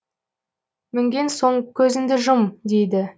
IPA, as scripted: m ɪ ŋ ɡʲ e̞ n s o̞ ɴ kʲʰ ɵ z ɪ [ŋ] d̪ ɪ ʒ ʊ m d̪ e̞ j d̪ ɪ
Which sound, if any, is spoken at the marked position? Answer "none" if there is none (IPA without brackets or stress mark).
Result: n